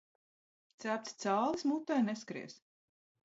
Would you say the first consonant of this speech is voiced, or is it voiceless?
voiceless